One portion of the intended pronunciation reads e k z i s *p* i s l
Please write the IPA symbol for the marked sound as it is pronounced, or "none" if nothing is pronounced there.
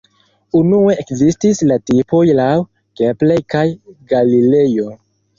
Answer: t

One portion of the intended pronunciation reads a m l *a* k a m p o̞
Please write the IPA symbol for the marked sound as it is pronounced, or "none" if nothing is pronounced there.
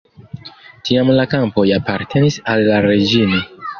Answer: a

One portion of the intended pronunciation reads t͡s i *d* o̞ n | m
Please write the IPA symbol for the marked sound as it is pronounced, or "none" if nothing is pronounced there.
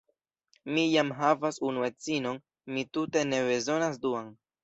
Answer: n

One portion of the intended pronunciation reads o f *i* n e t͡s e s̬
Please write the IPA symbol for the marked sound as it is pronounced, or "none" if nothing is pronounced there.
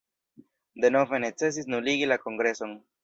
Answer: e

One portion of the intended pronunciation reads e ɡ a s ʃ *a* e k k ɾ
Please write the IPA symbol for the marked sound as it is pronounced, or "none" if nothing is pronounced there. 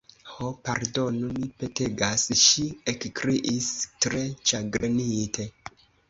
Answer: i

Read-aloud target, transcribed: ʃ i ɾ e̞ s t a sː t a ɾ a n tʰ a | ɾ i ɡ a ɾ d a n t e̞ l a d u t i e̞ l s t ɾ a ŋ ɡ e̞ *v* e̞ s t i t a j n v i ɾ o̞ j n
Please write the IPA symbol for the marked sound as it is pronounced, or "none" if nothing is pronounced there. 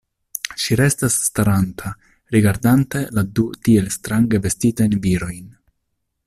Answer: v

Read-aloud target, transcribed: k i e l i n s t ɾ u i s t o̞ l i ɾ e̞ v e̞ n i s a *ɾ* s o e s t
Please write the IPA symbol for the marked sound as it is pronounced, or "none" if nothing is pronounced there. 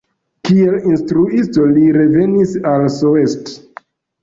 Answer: l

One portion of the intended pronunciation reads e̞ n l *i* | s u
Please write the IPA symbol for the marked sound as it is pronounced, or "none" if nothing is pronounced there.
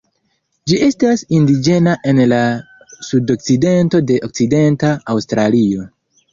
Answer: a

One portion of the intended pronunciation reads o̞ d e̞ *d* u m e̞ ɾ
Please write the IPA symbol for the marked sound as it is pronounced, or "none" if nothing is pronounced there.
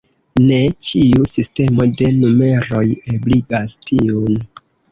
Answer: n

